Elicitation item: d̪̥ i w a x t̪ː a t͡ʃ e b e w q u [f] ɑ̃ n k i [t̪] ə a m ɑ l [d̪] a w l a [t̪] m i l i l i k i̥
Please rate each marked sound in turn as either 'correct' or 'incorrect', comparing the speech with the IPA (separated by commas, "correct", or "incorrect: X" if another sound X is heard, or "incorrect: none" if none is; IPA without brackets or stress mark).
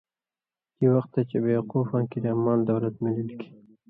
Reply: correct, incorrect: d̪, correct, correct